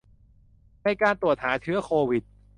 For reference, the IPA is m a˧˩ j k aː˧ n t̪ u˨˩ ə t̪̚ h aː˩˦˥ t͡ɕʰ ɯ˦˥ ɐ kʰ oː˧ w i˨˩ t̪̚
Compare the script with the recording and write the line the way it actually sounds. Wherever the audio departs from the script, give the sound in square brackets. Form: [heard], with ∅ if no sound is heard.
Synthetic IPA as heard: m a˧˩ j k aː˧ n t̪ u˨˩ ə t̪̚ h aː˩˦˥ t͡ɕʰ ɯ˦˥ ɐ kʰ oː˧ w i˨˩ t̪̚